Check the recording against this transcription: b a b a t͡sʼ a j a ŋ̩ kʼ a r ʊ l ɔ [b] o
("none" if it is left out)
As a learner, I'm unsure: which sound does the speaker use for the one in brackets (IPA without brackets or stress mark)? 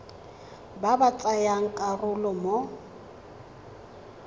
m